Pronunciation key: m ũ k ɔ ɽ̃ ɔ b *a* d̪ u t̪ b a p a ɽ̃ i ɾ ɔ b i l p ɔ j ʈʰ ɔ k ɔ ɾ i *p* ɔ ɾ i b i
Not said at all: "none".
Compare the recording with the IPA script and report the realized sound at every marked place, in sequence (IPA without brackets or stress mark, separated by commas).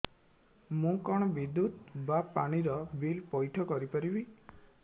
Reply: i, p